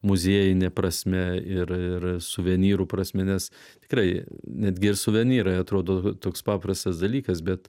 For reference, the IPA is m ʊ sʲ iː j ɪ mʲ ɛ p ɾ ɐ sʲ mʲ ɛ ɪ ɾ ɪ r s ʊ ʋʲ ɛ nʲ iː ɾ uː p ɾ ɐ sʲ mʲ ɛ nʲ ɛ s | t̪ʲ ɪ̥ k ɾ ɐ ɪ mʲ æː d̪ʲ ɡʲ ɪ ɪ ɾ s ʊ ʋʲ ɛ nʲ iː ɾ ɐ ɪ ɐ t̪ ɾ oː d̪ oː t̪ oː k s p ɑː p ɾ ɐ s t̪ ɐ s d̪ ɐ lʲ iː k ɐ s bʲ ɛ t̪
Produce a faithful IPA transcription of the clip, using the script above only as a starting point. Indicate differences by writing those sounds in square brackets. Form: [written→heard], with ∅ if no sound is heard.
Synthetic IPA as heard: m ʊ [sʲ→zʲ] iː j ɪ [mʲ→nʲ] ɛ p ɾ ɐ sʲ mʲ ɛ ɪ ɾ ɪ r s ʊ ʋʲ ɛ nʲ iː ɾ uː p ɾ ɐ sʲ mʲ ɛ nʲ ɛ s | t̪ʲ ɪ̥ k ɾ ɐ ɪ [mʲ→nʲ] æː d̪ʲ ɡʲ ɪ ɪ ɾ s ʊ ʋʲ ɛ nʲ iː ɾ ɐ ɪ ɐ t̪ ɾ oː d̪ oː t̪ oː k s p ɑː p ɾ ɐ s t̪ ɐ s d̪ ɐ lʲ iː k ɐ s bʲ ɛ t̪